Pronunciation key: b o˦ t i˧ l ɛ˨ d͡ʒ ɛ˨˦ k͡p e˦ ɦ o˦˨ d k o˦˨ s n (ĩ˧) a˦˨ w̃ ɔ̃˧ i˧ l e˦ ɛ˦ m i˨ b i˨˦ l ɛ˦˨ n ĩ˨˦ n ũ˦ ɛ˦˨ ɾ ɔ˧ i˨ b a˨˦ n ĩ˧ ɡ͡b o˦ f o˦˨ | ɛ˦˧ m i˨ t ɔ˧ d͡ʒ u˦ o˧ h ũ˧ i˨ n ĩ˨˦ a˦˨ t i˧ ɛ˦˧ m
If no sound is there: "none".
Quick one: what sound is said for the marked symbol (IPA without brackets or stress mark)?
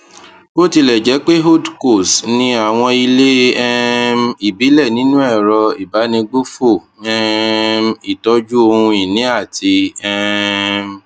ĩ˧